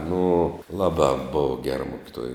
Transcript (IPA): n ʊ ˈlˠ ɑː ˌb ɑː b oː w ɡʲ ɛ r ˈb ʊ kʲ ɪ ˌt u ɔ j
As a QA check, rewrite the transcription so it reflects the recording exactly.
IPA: n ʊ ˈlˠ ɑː ˌb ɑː b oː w ɡʲ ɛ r ˈm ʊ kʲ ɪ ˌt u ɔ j